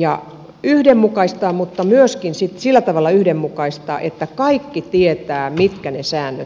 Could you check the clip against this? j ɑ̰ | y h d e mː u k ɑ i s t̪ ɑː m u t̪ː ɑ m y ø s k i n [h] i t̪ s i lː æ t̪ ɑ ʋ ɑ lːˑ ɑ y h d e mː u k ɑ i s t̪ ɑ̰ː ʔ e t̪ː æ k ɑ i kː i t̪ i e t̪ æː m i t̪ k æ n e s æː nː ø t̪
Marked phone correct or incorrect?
incorrect